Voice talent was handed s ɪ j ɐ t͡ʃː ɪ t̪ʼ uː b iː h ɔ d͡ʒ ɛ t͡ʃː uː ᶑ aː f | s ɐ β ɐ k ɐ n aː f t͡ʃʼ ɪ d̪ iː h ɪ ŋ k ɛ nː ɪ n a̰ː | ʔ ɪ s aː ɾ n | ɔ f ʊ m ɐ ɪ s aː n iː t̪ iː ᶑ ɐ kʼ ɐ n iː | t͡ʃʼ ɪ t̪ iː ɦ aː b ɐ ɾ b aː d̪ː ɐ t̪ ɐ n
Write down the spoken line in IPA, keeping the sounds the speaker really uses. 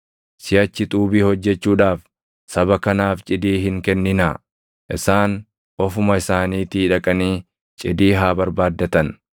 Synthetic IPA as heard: s ɪ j ɐ t͡ʃː ɪ t̪ʼ uː b iː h ɔ d͡ʒː ɛ t͡ʃː uː ᶑ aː f | s ɐ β ɐ k ɐ n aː f t͡ʃʼ ɪ d̪ iː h ɪ ŋ k ɛ nː ɪ n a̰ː | ʔ ɪ s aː n | ɔ f ʊ m ɐ ɪ s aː n iː t̪ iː ᶑ ɐ kʼ ɐ n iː | t͡ʃʼ ɪ d̪ iː ɦ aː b ɐ ɾ b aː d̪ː ɐ t̪ ɐ n